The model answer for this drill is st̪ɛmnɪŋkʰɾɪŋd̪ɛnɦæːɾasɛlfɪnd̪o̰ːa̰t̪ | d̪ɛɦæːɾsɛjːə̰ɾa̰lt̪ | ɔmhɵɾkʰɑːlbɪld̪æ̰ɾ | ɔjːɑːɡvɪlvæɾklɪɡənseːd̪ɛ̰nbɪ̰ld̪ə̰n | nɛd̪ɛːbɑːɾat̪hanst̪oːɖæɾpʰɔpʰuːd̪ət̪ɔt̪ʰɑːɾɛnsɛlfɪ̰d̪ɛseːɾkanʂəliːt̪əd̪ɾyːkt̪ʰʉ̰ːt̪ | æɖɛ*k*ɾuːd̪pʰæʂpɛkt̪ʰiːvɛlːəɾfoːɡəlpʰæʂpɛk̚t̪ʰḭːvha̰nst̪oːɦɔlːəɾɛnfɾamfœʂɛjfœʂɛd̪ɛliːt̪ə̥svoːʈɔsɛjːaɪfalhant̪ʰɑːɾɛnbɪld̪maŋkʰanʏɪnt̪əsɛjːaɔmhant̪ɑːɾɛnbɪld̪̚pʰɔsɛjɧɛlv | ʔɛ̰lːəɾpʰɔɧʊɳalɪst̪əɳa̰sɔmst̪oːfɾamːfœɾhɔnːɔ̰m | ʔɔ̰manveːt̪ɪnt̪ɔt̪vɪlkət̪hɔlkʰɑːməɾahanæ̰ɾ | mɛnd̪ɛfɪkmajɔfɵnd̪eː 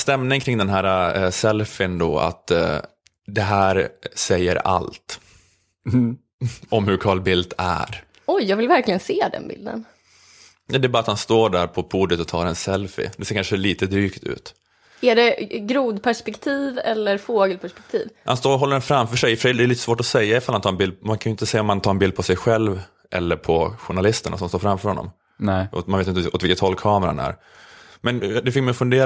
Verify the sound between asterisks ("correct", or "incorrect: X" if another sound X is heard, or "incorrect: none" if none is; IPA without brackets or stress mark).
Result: incorrect: ɡ